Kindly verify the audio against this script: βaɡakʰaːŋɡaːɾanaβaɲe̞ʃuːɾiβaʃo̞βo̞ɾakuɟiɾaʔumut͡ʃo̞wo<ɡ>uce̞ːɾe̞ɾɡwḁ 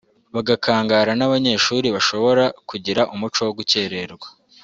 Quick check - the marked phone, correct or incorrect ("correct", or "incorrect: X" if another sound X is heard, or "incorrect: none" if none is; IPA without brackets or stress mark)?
correct